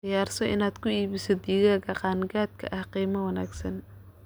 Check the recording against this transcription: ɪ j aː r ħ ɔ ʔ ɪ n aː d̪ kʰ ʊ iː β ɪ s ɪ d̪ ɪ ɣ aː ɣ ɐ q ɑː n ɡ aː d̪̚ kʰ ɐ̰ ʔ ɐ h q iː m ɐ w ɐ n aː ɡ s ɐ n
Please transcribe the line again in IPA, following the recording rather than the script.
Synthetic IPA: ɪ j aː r s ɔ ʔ ɪ n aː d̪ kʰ ʊ iː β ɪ s ɪ d̪ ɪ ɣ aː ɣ ɐ q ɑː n ɡ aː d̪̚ kʰ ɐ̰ ʔ ɐ h q iː m ɐ w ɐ n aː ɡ s ɐ n